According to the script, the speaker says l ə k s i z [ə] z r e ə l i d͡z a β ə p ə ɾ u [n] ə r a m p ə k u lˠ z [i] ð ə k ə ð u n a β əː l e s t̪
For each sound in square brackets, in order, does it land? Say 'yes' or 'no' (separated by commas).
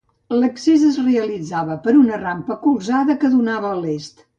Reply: yes, yes, no